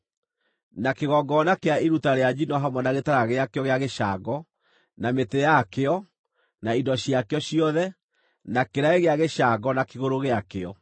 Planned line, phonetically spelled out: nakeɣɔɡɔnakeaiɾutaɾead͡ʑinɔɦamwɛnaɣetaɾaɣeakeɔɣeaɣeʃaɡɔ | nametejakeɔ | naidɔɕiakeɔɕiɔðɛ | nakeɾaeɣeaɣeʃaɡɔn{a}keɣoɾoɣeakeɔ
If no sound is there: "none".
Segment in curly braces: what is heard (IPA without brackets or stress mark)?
a